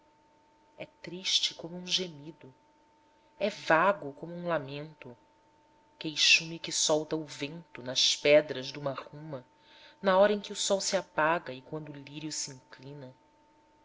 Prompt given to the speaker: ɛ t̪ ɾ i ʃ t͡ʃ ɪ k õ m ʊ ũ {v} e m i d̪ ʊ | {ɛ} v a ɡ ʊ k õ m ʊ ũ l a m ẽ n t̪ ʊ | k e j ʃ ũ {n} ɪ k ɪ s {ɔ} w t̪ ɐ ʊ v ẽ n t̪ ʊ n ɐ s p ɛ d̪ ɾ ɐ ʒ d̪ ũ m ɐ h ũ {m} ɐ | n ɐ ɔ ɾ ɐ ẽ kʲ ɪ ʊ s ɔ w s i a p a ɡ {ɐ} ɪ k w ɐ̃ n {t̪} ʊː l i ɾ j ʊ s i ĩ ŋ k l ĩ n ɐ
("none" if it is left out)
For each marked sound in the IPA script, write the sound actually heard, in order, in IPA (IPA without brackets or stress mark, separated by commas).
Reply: ʒ, ɛ, m, ɔ, m, ɐ, d̪